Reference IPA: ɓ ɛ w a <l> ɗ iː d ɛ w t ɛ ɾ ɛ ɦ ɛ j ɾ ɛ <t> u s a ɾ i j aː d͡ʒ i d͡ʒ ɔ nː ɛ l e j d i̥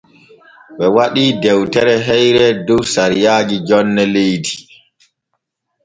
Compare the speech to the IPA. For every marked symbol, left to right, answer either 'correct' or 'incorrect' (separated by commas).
incorrect, incorrect